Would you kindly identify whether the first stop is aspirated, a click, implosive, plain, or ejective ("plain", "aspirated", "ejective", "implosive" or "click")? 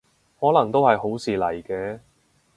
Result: plain